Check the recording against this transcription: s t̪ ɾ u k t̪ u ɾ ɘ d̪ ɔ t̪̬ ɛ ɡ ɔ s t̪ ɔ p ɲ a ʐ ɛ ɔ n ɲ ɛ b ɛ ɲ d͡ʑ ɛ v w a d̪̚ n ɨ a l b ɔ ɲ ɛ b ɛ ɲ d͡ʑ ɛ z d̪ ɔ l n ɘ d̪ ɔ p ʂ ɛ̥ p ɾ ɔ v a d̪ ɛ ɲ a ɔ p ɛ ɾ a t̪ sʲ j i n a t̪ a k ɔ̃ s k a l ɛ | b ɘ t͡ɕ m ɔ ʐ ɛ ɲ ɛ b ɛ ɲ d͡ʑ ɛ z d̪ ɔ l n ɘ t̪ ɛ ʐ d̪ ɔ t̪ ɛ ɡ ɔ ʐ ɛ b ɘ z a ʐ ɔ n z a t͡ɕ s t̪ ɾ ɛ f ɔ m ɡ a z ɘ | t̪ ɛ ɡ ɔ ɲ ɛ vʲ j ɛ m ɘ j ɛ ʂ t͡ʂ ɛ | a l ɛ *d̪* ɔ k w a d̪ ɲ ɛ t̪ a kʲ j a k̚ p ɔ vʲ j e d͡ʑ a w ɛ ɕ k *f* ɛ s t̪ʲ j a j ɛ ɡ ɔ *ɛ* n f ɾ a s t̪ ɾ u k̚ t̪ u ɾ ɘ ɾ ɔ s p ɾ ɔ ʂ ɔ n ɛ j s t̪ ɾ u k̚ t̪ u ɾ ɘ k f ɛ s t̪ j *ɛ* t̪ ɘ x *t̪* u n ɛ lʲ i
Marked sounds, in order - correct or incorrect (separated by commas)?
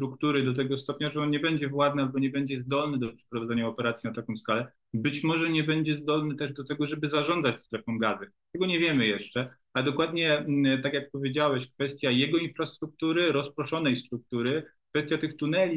correct, correct, incorrect, incorrect, correct